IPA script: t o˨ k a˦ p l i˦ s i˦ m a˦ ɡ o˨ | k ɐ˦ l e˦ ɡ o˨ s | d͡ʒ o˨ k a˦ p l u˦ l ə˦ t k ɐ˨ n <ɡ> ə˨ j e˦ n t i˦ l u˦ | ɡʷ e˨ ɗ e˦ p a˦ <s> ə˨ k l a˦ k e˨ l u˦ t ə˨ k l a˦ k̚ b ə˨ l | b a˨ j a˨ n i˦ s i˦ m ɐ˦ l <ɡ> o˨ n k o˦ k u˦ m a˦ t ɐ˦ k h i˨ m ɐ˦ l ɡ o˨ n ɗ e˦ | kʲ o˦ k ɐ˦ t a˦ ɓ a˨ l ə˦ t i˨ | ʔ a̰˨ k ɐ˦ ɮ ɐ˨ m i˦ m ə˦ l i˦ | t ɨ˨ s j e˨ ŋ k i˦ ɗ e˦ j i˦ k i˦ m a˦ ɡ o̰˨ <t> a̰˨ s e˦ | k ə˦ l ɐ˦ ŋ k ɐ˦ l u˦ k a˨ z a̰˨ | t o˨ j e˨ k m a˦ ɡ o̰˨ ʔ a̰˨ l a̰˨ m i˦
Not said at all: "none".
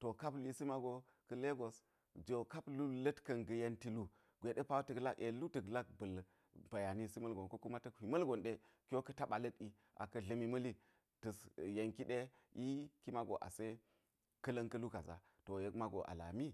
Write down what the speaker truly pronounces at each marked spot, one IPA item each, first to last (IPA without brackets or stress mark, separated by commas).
ɡ, t, ɡ, ʔ